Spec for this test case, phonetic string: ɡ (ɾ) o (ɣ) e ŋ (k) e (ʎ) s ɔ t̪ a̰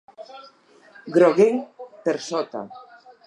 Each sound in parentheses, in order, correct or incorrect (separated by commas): correct, correct, incorrect, incorrect